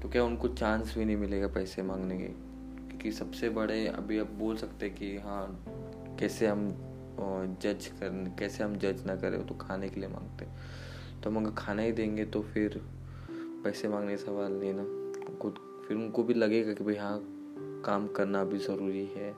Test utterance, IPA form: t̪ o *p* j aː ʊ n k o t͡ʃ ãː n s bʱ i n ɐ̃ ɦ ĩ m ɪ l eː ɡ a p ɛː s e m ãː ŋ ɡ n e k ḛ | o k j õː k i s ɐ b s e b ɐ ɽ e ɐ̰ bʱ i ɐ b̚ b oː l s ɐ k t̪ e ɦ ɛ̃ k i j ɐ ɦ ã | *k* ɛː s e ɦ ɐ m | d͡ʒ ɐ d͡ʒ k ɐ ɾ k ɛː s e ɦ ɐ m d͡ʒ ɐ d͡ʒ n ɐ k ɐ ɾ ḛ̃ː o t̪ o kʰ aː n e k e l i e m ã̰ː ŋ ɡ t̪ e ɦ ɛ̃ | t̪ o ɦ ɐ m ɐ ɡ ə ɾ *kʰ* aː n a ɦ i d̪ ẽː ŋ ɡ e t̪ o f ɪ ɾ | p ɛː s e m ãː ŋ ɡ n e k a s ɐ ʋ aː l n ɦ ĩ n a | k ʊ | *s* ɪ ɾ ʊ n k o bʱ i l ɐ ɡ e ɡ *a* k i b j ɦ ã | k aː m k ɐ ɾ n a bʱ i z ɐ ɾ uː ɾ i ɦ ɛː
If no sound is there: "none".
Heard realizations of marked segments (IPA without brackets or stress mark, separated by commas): k, k, kʰ, f, a